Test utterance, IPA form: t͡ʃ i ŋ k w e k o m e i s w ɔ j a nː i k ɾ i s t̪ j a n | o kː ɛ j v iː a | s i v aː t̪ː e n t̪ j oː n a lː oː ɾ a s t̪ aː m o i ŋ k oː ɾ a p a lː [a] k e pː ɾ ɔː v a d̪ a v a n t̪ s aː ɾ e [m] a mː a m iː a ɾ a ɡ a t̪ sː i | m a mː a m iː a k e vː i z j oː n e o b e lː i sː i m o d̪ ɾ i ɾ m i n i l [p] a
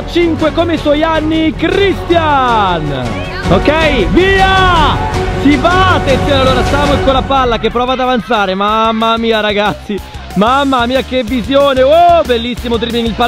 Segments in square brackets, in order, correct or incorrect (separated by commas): correct, correct, correct